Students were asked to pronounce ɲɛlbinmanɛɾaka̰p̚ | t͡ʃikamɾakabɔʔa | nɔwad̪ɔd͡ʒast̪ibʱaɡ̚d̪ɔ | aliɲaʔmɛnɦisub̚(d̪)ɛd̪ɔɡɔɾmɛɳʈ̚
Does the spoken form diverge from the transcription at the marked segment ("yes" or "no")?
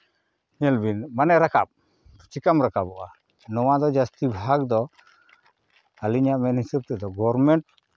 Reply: yes